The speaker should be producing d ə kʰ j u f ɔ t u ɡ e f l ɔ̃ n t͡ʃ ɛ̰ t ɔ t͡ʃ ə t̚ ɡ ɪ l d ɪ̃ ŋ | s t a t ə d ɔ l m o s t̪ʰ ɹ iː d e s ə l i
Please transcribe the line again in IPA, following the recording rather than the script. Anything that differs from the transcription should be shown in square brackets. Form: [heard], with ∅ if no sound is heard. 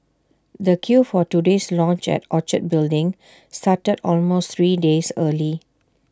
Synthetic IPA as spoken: d ə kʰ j u f ɔ t u [d] e [s] l ɔ̃ n t͡ʃ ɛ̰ t ɔ t͡ʃ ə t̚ [b] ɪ l d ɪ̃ ŋ | s t a t ə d ɔ l m o s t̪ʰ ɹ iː d e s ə l i